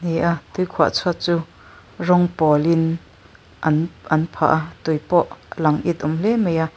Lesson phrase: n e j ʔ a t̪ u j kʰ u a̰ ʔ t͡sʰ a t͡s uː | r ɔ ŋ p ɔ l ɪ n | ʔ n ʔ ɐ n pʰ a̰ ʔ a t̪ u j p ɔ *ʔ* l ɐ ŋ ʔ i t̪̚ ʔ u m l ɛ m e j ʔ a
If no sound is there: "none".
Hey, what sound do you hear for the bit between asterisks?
ʔ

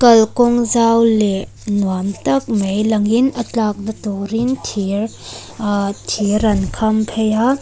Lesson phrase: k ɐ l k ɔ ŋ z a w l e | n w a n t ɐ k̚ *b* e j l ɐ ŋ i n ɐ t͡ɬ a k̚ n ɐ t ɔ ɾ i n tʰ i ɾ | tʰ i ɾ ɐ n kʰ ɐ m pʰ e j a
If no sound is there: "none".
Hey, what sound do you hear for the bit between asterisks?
m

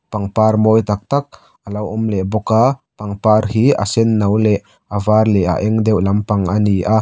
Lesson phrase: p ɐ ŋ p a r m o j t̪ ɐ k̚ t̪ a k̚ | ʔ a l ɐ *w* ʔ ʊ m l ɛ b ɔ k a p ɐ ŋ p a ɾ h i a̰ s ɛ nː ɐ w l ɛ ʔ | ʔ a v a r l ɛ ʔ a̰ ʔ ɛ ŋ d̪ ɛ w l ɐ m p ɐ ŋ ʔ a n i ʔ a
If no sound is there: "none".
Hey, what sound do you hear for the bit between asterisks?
w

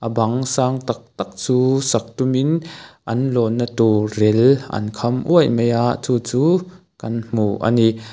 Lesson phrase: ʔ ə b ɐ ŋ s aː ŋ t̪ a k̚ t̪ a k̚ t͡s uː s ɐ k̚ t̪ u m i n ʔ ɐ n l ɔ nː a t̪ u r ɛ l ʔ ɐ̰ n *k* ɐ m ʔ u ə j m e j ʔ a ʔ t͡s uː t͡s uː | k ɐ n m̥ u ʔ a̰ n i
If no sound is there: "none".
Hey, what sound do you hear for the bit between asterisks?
kʰ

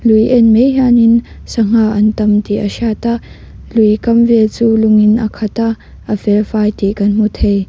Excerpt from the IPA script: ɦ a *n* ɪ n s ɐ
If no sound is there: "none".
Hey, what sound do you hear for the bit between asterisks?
n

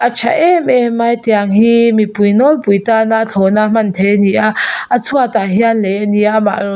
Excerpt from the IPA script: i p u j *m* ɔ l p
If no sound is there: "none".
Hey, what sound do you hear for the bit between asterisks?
n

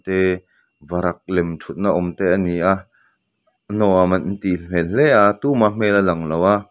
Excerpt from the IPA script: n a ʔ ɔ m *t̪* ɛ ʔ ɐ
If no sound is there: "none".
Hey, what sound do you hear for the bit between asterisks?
t̪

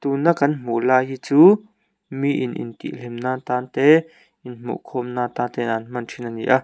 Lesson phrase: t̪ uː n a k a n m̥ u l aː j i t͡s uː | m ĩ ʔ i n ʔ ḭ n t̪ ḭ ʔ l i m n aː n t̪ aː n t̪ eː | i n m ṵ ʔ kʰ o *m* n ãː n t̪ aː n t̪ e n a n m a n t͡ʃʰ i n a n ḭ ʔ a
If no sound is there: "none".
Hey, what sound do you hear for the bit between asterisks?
m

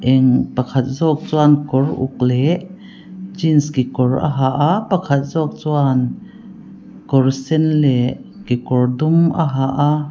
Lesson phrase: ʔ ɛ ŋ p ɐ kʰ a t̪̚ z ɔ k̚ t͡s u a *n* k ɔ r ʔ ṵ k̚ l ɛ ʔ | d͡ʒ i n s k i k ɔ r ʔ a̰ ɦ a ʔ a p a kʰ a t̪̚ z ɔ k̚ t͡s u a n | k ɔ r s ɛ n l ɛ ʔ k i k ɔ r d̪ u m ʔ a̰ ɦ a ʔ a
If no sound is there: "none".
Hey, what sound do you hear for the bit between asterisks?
n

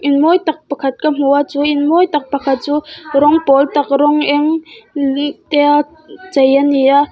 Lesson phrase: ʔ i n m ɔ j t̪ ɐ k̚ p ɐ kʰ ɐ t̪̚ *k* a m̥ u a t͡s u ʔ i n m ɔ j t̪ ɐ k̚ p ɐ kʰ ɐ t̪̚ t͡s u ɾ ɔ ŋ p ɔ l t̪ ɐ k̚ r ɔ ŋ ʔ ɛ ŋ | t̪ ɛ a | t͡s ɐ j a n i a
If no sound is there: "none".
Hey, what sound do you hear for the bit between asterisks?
k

